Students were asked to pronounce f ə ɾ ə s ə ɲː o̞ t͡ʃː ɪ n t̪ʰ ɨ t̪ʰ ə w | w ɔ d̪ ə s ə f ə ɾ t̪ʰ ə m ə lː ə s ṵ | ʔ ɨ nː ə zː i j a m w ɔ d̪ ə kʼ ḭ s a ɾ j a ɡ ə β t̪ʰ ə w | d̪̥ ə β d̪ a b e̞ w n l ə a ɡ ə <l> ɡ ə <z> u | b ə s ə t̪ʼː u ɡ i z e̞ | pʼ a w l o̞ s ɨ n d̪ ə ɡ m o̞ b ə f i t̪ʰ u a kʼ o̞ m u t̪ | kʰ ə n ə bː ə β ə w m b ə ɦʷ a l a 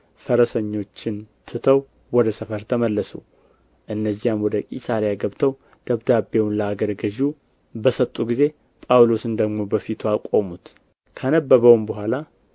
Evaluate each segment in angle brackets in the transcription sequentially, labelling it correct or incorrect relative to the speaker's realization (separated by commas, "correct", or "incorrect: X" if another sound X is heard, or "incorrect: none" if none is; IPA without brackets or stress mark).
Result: incorrect: ɾ, incorrect: ʒ